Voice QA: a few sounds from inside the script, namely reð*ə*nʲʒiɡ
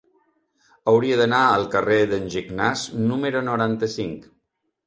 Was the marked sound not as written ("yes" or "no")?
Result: no